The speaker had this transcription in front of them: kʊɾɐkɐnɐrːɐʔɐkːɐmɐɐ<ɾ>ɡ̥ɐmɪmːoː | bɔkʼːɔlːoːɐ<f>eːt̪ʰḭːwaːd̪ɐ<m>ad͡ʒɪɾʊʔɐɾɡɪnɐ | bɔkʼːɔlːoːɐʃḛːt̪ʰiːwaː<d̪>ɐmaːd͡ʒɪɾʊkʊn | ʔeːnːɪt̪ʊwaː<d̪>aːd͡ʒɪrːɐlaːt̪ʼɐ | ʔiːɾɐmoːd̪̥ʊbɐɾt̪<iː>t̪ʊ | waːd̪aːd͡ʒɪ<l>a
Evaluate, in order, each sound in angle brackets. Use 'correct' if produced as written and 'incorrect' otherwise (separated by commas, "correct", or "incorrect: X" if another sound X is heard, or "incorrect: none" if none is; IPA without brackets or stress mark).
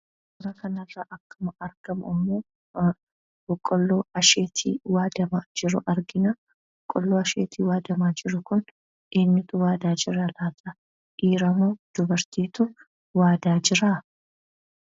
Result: correct, incorrect: ʃ, correct, correct, correct, correct, incorrect: ɾ